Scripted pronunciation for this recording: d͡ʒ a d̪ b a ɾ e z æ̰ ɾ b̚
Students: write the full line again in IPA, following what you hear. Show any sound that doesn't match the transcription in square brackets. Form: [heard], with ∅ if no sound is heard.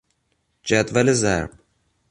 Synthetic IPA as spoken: d͡ʒ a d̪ [v] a [l] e z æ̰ ɾ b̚